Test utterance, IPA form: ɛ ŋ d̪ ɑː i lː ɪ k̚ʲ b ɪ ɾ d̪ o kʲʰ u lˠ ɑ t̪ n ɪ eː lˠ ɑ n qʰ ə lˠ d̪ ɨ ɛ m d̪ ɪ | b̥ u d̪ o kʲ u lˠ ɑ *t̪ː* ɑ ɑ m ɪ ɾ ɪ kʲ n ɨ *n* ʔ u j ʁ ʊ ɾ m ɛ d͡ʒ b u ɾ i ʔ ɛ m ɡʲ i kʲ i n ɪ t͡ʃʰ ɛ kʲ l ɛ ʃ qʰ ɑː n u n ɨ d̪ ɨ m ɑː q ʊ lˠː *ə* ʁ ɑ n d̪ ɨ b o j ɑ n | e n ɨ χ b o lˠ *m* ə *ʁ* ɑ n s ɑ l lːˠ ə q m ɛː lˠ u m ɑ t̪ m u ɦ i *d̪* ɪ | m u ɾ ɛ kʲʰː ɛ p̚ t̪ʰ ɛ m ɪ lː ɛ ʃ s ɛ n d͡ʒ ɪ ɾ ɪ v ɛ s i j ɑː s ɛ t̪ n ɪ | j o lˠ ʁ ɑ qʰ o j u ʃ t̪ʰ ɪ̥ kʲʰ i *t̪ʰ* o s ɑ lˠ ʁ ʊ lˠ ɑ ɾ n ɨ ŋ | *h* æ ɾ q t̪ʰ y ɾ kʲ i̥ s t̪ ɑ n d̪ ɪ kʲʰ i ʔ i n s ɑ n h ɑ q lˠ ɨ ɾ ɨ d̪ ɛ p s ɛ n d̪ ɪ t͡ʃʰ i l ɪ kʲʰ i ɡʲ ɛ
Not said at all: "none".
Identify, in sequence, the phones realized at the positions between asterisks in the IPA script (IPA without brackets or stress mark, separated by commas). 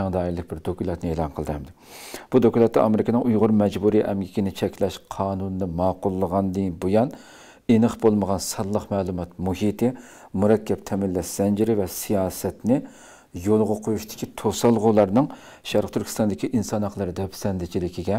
t̪ː, ŋ, ə, m, ʁ, t̪, t̪ʰ, ʃ